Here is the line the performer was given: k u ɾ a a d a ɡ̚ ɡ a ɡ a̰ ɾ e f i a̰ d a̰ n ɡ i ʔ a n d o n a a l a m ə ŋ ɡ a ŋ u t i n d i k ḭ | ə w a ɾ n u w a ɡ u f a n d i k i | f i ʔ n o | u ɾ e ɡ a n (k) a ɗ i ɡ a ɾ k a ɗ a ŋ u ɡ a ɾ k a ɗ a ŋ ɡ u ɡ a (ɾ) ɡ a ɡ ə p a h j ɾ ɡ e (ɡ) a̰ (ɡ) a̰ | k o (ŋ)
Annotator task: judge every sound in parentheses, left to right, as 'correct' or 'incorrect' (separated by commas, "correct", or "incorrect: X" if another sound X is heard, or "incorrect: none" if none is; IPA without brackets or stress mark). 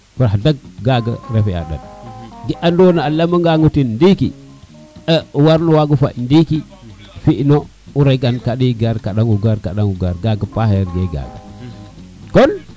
correct, correct, correct, correct, incorrect: n